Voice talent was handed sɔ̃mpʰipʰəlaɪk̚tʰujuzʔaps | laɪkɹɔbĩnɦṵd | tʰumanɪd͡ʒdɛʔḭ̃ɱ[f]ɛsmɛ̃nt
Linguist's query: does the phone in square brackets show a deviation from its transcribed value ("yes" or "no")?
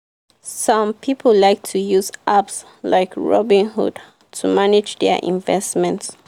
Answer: yes